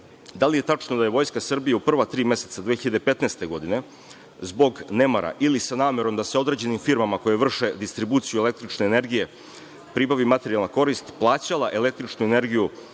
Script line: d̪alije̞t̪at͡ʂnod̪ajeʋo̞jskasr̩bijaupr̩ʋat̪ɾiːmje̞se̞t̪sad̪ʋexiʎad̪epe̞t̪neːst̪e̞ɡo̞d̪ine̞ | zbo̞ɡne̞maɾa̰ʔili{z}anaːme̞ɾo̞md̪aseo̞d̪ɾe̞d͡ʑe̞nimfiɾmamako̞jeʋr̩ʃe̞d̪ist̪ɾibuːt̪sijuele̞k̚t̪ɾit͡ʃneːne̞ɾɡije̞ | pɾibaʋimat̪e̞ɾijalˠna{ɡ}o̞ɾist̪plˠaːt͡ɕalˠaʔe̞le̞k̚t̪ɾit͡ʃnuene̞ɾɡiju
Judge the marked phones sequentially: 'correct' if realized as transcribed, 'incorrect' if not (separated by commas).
incorrect, incorrect